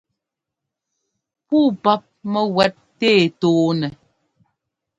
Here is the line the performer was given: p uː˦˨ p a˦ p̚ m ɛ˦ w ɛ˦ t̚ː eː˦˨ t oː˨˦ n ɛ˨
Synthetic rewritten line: p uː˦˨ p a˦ p̚ m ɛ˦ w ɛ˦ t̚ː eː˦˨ t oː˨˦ n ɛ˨